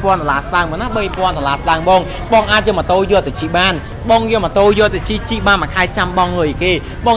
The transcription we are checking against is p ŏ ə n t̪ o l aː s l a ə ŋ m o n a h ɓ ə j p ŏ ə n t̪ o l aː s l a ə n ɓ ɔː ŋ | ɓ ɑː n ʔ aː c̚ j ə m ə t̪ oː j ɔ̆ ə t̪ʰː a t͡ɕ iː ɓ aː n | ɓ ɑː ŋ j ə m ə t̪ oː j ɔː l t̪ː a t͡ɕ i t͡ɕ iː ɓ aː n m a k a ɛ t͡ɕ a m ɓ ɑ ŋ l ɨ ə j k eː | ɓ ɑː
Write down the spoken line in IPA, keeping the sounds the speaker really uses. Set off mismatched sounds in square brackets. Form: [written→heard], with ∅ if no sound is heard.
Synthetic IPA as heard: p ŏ ə n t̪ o l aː s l a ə ŋ m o n a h ɓ ə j p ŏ ə n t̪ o l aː s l a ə [n→ŋ] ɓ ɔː ŋ | ɓ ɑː [n→ŋ] ʔ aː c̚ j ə m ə t̪ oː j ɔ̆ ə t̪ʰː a t͡ɕ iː ɓ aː n | ɓ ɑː ŋ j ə m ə t̪ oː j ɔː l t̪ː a t͡ɕ i t͡ɕ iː ɓ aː n m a [k→kʰ] a ɛ t͡ɕ a m ɓ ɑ ŋ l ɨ ə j k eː | ɓ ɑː